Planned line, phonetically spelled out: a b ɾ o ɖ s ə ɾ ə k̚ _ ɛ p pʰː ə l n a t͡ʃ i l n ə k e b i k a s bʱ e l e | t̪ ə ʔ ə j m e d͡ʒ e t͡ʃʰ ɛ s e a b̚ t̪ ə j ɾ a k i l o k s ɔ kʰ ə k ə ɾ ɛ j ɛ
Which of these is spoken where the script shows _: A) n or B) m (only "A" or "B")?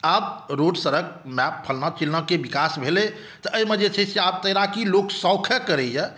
B